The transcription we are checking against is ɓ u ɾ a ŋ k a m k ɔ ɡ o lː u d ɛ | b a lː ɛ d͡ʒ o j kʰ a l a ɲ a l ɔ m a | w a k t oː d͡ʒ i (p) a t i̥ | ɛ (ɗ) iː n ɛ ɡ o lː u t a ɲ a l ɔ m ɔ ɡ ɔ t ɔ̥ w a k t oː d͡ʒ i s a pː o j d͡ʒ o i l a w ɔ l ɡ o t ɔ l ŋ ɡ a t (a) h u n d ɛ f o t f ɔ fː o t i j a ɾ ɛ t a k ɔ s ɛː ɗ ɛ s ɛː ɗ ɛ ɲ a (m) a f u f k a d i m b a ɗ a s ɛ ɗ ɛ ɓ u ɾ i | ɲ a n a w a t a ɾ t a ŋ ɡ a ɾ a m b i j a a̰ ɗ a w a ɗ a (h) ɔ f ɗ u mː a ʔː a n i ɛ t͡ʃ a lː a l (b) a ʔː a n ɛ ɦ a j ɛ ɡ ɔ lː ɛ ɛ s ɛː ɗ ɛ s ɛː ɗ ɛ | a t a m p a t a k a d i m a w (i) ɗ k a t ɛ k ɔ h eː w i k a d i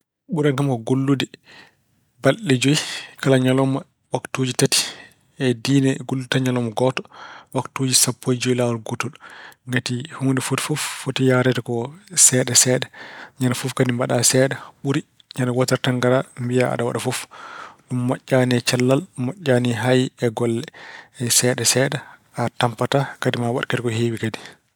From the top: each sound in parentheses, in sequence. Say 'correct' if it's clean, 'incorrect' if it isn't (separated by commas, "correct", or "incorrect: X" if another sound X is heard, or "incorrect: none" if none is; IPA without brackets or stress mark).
incorrect: t, incorrect: d, incorrect: i, incorrect: n, incorrect: f, incorrect: m, incorrect: a